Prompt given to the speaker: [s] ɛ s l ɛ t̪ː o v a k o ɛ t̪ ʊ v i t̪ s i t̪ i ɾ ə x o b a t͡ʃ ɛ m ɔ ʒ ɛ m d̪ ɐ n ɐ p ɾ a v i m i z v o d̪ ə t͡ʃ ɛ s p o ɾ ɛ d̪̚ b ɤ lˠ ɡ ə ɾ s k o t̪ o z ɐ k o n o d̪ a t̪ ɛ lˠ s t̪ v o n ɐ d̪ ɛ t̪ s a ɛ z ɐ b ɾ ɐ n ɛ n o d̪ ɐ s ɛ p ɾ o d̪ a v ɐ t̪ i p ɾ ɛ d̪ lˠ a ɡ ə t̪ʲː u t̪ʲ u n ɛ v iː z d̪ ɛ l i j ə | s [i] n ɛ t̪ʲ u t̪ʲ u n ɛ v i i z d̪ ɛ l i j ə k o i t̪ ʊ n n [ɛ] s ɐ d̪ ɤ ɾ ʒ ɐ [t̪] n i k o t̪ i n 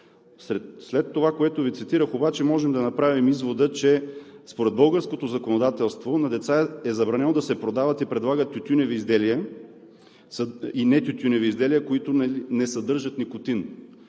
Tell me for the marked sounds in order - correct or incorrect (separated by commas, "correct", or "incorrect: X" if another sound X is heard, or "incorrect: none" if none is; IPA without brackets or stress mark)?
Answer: correct, correct, correct, correct